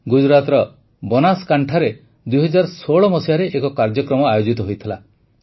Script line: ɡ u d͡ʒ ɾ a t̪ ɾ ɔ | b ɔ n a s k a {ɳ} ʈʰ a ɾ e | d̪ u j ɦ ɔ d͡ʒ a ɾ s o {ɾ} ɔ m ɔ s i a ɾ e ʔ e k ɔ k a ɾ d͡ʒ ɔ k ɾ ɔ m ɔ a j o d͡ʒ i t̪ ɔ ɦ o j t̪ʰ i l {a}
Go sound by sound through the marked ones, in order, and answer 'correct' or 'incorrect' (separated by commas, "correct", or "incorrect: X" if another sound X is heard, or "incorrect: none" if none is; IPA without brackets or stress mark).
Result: correct, incorrect: ɭ, correct